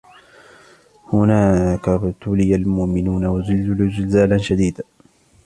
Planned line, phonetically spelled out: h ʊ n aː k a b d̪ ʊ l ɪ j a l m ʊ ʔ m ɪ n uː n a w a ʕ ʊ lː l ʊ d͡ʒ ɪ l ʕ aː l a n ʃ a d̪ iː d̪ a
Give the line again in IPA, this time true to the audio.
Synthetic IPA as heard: h ʊ n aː k a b t̪ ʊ l ɪ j a l m ʊ ʔ m ɪ n uː n a w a z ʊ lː l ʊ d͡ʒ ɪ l z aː l a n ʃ a d̪ iː d̪ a

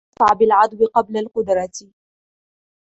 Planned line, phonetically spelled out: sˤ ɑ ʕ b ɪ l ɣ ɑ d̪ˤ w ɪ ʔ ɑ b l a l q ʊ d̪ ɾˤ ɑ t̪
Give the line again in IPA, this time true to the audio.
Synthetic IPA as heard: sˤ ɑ ʕ b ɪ l ʕ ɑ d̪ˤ w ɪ q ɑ b l a l q ʊ d̪ ɾˤ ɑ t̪

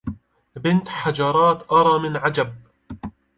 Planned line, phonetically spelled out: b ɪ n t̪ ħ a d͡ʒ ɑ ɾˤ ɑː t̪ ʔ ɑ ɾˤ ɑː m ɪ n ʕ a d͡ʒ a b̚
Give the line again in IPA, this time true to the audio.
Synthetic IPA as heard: b ɪ n t̪ ħ a d͡ʒ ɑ ɾˤ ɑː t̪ ʔ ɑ ɾˤ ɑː m ɪ n ʕ a d͡ʒ a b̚

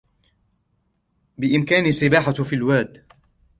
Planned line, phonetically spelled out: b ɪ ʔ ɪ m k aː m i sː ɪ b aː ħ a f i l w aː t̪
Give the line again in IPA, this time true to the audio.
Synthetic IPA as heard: b ɪ ʔ ɪ m k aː n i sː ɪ b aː ħ a f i l w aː d̪

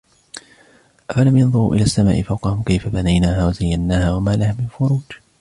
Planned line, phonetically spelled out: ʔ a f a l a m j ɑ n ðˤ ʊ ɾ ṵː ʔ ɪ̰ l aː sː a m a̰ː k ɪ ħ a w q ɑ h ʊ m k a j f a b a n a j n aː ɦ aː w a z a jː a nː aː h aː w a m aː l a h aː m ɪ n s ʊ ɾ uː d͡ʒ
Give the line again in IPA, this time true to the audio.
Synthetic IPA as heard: ʔ a f a l a m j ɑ n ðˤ ʊ ɾ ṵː ʔ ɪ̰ l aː sː a m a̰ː ʔ ɪ f a w q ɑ h ʊ m k a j f a b a n a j n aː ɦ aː w a z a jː a nː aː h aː w a m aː l a h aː m ɪ n f ʊ ɾ uː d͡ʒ

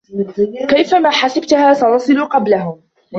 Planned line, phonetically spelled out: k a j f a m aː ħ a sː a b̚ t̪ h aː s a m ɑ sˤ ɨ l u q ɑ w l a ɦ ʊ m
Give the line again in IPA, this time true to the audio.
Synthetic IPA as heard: k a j f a m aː ħ a s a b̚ t̪ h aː s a n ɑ sˤ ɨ l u q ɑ b l a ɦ ʊ m

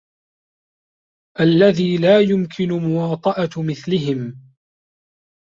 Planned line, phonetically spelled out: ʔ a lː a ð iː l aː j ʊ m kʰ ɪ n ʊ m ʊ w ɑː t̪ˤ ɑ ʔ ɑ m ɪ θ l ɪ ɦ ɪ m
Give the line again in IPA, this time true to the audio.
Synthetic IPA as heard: ʔ a lː a ð iː l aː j ʊ m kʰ ɪ n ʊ m ʊ w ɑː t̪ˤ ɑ ʔ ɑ m ɪ θ l ɪ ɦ ɪ m

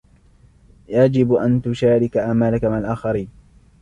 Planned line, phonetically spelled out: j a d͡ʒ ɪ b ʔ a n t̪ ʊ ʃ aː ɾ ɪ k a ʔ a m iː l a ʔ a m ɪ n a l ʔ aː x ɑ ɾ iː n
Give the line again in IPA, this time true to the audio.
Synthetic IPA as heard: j a d͡ʒ ɪ b ʔ a n t̪ ʊ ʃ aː ɾ ɪ k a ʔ a m aː l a k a m ɪ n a l ʔ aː x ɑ ɾ iː n

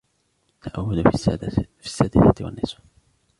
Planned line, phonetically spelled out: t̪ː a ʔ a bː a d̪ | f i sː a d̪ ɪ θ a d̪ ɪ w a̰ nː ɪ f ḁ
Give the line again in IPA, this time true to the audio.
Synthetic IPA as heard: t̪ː a ʔ a wː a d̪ | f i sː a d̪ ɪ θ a t̪ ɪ w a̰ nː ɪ s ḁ

